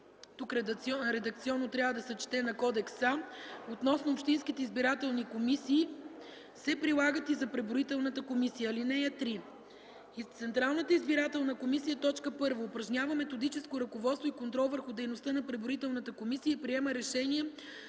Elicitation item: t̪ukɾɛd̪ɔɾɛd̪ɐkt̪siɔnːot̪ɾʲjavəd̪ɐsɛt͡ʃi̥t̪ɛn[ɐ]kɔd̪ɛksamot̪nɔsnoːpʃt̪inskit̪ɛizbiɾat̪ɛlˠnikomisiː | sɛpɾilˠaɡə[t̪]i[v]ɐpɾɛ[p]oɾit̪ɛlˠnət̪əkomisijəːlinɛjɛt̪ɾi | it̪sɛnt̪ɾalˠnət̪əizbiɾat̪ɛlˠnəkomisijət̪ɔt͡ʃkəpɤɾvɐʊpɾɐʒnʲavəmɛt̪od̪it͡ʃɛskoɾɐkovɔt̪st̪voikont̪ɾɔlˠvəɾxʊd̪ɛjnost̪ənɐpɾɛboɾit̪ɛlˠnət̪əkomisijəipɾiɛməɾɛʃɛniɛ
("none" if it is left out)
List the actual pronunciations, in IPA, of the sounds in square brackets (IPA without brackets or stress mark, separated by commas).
ɐ, t̪, z, b